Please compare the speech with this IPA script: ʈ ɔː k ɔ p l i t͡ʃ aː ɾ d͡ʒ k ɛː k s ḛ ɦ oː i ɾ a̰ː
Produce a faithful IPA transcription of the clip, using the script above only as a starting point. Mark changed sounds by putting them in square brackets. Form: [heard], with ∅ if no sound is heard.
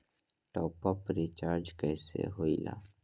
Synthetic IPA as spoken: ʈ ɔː [p] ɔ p [ɾ] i t͡ʃ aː ɾ d͡ʒ k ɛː [∅] s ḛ ɦ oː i [l] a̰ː